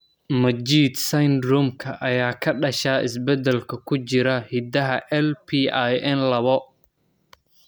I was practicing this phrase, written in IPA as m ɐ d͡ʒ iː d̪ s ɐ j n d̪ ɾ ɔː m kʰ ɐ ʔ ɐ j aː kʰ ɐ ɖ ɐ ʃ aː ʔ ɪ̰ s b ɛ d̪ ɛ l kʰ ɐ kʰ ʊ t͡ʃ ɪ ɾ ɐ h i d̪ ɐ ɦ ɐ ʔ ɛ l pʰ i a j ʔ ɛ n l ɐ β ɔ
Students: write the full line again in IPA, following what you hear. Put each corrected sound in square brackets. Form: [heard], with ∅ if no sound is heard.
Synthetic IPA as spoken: m ɐ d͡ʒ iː d̪ s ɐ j n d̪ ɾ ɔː m kʰ ɐ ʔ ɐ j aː kʰ ɐ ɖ ɐ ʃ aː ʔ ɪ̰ s b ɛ d̪ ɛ l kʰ ɐ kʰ ʊ t͡ʃ ɪ ɾ ɐ h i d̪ ɐ ɦ ɐ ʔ ɛ l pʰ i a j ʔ ɛ n l ɐ β ɔ